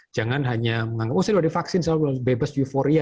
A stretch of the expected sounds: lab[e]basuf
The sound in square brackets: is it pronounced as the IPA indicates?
yes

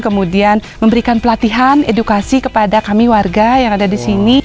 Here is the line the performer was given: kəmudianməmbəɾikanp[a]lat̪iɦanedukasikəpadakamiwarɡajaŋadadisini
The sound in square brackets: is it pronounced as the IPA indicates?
no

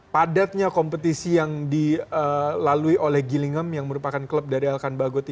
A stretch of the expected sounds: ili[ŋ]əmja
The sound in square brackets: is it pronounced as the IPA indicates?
yes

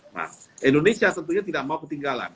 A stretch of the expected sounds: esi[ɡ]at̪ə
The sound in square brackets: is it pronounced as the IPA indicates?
no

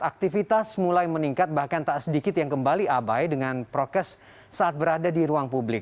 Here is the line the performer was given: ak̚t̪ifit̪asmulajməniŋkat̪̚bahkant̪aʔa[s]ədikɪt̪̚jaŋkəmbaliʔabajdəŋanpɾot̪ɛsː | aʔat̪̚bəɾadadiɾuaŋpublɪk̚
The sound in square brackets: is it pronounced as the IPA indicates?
yes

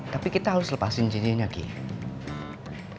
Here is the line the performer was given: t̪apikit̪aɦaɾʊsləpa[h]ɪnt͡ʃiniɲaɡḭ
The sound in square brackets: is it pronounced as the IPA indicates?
no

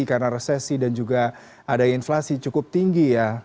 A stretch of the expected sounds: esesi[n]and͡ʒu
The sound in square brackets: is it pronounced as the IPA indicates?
no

